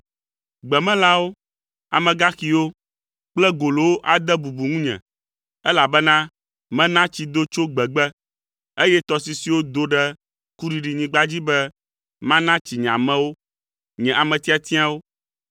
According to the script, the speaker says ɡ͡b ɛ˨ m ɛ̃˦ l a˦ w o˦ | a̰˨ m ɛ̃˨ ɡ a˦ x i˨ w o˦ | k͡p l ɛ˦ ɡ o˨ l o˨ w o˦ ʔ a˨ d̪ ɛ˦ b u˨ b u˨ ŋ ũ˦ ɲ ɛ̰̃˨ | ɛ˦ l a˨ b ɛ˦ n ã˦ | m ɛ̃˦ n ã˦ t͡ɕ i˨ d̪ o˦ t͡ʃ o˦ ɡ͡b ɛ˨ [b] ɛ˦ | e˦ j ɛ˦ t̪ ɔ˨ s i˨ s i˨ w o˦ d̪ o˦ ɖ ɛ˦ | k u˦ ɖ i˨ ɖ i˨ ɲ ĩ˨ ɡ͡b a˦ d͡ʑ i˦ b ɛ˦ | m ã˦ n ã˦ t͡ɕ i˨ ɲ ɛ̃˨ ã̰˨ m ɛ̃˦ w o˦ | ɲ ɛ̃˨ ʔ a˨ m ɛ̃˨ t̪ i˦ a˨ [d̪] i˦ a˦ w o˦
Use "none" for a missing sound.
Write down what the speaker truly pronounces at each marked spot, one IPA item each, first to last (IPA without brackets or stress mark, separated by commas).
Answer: ɡ͡b, t̪